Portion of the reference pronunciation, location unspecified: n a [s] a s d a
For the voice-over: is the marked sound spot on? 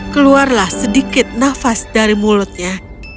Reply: no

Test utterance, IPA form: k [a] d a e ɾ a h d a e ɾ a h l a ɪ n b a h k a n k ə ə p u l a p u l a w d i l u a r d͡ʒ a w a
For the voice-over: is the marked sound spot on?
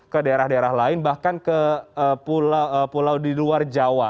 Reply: no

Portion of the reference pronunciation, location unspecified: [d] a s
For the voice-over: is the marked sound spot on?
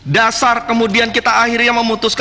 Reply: yes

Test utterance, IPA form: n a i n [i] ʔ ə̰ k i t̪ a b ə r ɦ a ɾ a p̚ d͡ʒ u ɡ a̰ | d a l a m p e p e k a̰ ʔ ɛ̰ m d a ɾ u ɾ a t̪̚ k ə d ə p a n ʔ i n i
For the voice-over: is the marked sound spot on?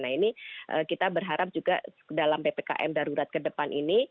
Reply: yes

